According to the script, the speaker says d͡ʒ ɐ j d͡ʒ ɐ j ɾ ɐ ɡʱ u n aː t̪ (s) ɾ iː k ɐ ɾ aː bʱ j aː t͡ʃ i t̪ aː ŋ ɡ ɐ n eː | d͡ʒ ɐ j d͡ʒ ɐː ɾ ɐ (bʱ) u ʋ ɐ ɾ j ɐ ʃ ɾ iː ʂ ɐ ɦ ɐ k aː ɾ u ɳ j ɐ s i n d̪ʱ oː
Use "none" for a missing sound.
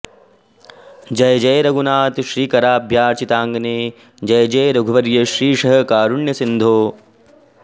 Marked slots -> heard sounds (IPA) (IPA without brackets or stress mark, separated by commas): ʃ, ɡʱ